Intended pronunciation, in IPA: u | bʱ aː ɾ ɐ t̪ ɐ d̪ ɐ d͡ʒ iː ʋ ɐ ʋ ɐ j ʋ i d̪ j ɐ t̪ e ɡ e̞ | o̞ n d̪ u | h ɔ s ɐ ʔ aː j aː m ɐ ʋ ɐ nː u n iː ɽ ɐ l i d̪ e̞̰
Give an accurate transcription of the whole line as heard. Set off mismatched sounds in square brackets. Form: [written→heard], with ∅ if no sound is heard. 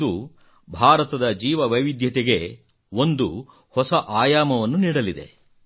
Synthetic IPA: u | bʱ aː ɾ ɐ t̪ ɐ d̪ ɐ d͡ʒ iː ʋ ɐ ʋ ɐ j ʋ i d̪ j ɐ t̪ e ɡ e̞ | o̞ n d̪ u | h ɔ s ɐ ʔ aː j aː m ɐ ʋ ɐ nː u n iː ɽ ɐ l i d̪ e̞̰